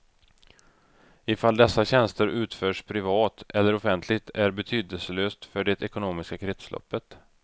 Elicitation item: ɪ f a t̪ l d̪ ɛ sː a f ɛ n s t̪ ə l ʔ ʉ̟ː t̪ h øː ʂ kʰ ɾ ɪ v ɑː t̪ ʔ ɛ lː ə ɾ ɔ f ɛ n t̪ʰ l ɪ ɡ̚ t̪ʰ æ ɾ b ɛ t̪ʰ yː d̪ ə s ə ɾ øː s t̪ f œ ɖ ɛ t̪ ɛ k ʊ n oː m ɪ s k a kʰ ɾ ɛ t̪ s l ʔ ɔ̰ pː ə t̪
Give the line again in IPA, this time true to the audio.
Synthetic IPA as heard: ɪ f a l d̪ ɛ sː a ɕ ɛ n s t̪ ə ɾ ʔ ʉ̟ː t̪ f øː ʂ pʰ ɾ ɪ v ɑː t̪ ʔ ɛ lː ə ɾ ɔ f ɛ n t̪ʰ l ɪ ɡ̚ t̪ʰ æ ɾ b ɛ t̪ʰ yː d̪ ə s ə l øː s t̪ f œ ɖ ɛ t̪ ɛ k ʊ n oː m ɪ s k a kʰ ɾ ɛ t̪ s l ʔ ɔ̰ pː ə t̪